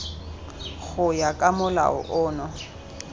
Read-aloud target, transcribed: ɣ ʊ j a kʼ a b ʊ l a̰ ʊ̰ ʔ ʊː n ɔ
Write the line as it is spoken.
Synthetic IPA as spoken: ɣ ʊ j a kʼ a m ʊ l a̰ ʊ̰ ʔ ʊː n ɔ